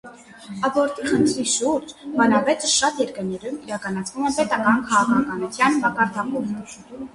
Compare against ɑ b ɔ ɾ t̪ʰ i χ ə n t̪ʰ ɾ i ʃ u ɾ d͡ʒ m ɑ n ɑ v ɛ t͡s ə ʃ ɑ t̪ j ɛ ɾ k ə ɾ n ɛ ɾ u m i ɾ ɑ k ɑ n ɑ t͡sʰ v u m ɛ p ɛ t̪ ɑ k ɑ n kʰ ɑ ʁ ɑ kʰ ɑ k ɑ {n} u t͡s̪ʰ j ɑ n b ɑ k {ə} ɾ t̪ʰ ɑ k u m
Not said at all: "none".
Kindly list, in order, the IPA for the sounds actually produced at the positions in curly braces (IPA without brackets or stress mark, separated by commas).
n, ɑ